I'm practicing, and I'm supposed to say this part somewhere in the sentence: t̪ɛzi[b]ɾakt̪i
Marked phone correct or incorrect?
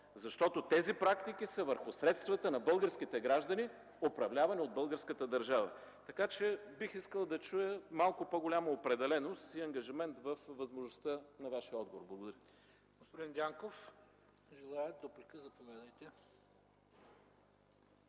incorrect